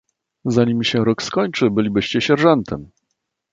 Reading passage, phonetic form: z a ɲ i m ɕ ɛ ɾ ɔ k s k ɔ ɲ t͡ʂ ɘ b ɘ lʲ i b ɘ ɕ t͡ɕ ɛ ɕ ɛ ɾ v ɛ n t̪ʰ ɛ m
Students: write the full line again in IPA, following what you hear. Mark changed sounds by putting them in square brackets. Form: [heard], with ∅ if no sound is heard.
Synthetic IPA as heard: z a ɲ i m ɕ ɛ ɾ ɔ k s k ɔ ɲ t͡ʂ ɘ b ɘ lʲ i b ɘ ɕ t͡ɕ ɛ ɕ ɛ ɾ [ʐ] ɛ n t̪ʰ ɛ m